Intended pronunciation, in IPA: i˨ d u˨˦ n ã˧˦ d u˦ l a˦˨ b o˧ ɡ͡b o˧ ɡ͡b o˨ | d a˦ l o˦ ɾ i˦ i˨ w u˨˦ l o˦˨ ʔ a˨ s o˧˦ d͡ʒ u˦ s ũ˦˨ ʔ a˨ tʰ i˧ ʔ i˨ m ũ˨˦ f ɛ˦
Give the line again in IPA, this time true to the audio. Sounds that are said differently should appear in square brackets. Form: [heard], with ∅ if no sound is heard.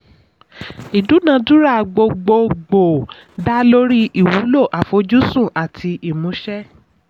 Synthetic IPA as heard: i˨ d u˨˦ n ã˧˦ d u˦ [ɾ] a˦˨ [ɡ͡b] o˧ ɡ͡b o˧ ɡ͡b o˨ | d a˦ l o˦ ɾ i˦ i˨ w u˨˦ l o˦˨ ʔ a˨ [f] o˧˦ d͡ʒ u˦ s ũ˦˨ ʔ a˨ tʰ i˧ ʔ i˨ m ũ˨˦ [ʃ] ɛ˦